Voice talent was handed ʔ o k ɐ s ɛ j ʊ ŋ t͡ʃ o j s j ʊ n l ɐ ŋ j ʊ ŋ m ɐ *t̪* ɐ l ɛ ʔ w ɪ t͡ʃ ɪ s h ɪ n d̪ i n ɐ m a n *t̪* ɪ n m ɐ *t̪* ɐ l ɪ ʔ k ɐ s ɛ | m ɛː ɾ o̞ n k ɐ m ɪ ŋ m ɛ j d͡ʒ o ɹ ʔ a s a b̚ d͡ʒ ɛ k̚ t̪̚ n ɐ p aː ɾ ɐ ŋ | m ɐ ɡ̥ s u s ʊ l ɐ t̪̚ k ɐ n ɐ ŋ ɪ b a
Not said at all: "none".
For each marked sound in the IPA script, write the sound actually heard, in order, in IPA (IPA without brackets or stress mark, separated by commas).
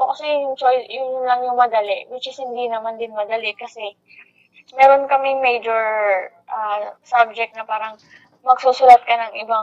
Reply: d̪, d̪, d̪